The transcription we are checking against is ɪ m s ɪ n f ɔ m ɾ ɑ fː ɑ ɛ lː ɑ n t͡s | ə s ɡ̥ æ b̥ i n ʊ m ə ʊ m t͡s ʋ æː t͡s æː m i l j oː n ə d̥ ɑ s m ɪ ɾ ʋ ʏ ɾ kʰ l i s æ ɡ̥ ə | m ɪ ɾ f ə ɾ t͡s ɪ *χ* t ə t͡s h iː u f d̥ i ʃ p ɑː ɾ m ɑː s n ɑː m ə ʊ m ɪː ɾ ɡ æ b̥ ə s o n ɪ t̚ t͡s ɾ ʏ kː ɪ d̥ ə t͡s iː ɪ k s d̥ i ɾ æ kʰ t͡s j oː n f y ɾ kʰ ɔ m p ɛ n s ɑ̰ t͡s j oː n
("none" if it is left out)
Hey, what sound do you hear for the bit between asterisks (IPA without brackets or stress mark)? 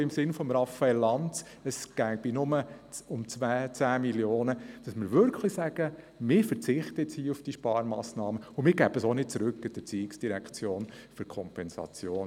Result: χ